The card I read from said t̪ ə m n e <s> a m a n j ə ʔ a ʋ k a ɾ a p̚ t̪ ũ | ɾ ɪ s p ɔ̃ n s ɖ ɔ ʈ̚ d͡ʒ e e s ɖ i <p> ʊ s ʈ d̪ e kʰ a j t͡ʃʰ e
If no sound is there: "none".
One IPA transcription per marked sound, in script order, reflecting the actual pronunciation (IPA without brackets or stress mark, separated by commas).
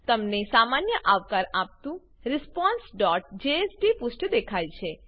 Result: s, p